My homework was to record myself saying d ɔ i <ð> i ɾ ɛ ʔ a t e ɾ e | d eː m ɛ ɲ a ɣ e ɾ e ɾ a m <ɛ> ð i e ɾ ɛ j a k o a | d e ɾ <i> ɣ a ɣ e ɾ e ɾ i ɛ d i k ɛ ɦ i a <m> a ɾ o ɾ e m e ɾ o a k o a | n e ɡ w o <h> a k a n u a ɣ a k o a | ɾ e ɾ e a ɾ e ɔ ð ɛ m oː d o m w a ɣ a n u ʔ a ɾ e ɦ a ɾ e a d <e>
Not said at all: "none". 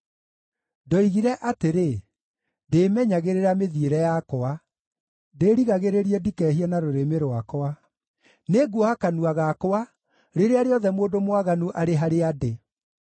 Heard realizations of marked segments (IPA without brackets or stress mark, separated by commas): ɣ, e, i, n, h, e